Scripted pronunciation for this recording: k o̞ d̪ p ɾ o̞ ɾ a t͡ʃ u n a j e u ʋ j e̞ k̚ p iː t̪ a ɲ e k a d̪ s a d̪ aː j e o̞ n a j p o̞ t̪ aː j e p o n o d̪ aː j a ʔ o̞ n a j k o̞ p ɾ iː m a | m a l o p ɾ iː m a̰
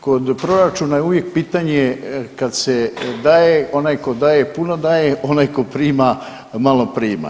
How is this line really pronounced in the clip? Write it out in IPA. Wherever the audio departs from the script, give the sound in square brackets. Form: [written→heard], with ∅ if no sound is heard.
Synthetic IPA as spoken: k o̞ d̪ p ɾ o̞ ɾ a t͡ʃ u n a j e u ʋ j e̞ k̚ p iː t̪ a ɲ e k a d̪ s [a→e] d̪ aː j e o̞ n a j [p→k] o̞ [t̪→d̪] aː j e p [o→u] n o d̪ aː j [a→e] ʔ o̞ n a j k o̞ p ɾ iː m a | m a l o p ɾ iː m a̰